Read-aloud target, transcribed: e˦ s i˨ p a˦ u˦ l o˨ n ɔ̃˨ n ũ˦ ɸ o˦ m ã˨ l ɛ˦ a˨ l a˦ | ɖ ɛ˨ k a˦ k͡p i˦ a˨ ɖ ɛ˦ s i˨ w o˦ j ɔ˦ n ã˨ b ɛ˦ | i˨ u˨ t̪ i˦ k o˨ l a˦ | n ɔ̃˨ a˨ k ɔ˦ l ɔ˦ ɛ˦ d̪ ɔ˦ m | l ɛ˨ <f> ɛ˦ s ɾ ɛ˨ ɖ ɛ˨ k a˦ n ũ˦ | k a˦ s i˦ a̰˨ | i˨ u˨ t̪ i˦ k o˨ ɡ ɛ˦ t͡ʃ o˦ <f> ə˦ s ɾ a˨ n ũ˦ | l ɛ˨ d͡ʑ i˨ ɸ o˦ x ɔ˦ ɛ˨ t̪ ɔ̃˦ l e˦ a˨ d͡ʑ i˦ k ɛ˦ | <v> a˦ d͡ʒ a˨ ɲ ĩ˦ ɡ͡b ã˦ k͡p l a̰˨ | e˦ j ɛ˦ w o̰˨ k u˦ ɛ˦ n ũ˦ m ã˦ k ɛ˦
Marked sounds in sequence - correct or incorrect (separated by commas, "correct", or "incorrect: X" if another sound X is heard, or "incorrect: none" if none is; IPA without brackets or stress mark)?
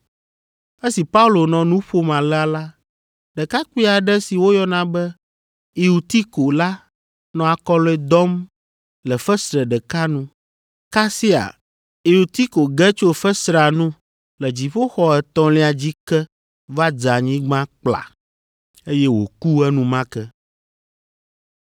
correct, correct, correct